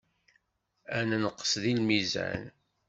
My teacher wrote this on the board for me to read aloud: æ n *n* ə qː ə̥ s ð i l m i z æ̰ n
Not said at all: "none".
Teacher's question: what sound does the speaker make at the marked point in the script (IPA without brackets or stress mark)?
n